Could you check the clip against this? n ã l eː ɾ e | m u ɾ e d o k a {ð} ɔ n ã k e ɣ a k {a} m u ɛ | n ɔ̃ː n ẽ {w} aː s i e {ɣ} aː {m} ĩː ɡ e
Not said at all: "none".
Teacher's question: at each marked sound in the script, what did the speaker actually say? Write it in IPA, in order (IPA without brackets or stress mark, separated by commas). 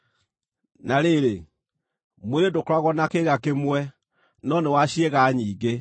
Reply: ɣ, e, w, ɣ, ɲ